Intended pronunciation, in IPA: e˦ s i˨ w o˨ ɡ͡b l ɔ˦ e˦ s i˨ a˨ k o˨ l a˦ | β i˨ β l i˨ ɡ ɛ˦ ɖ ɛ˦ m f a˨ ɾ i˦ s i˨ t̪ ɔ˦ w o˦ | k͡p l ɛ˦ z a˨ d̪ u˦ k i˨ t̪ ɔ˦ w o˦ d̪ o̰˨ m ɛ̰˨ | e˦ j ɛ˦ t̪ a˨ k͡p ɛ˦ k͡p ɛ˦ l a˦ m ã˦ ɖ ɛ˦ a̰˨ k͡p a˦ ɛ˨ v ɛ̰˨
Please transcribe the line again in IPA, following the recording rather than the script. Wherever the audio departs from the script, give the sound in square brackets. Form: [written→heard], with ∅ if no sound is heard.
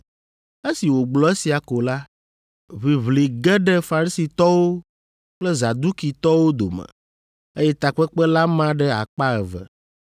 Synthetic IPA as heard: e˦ s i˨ w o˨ ɡ͡b l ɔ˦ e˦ s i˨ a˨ k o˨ l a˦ | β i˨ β l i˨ ɡ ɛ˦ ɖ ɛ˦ [m→∅] f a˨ ɾ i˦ s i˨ t̪ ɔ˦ w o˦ | k͡p l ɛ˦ z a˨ d̪ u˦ k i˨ t̪ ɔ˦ w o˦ d̪ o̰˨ m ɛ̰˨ | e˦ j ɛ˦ t̪ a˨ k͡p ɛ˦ k͡p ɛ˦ l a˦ m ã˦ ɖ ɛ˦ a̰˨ k͡p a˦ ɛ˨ v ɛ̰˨